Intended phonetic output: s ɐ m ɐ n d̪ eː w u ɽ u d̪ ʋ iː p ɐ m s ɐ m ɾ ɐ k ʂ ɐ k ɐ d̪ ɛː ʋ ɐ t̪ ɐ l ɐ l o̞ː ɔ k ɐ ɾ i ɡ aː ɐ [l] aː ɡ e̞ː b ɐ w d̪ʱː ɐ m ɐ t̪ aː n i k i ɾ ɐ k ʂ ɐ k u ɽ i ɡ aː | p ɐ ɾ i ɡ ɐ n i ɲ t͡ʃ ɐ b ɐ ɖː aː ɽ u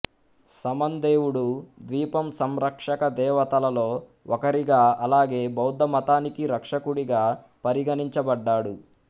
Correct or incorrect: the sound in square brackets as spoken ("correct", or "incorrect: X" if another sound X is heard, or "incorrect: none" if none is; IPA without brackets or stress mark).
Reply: correct